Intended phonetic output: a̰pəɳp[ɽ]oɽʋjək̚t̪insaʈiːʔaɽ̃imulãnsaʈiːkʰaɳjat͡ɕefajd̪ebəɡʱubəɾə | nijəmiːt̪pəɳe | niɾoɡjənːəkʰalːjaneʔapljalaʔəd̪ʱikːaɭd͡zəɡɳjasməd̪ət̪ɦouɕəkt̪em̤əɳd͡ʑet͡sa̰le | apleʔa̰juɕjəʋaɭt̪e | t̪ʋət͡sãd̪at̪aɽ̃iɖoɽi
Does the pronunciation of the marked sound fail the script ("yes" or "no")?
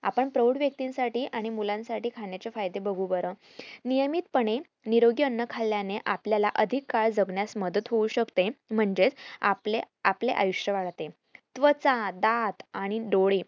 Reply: yes